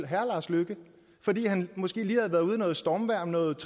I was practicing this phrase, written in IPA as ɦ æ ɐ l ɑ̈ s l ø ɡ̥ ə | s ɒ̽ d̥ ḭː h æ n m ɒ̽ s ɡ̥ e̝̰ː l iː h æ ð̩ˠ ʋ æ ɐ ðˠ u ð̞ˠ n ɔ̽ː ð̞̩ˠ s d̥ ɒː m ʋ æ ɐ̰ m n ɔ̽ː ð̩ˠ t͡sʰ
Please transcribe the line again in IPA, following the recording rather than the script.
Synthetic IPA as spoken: ɦ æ ɐ l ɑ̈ s l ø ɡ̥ ə | f ɒ̽ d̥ ḭː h æ n m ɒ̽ s ɡ̥ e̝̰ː l iː h æ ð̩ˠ ʋ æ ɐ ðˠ u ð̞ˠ n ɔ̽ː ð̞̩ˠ s d̥ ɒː m ʋ æ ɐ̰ m n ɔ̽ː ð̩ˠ t͡sʰ